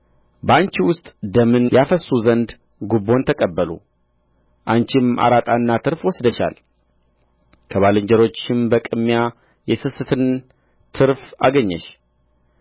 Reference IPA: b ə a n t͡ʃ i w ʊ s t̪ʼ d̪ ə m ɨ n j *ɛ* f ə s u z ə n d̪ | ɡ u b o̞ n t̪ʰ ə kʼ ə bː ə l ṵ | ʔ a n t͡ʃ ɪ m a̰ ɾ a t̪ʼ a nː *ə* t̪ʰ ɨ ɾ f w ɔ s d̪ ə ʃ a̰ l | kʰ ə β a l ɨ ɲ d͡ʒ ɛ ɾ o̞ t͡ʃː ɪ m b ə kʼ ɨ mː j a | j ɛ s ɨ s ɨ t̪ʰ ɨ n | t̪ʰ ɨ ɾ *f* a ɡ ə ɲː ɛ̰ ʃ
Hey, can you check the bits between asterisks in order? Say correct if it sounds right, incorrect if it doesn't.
incorrect, incorrect, correct

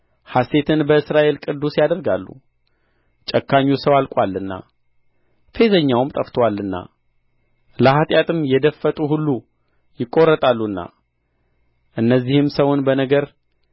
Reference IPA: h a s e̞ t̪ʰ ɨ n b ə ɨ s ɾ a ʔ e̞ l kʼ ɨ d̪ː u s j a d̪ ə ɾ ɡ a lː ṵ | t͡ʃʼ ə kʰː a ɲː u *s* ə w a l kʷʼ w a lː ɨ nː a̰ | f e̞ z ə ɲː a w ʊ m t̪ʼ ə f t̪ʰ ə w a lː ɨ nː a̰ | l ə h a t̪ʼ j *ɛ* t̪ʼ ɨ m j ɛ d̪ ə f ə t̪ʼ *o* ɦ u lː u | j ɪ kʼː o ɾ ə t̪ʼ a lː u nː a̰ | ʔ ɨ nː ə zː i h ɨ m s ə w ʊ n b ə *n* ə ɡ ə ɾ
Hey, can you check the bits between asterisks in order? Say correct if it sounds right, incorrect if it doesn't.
correct, incorrect, incorrect, correct

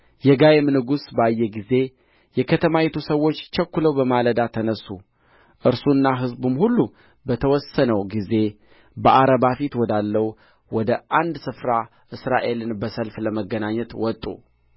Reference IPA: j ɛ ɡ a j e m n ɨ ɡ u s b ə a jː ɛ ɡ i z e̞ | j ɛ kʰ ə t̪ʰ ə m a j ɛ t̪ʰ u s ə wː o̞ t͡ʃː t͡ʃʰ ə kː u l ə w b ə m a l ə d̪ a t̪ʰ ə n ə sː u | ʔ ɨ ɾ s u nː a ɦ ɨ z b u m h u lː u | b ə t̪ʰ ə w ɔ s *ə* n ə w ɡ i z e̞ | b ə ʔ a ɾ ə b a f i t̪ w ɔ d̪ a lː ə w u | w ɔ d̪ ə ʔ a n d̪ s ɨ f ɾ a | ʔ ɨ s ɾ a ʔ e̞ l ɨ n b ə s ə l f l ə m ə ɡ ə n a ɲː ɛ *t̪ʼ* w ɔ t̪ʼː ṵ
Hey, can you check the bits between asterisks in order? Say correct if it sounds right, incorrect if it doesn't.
correct, incorrect

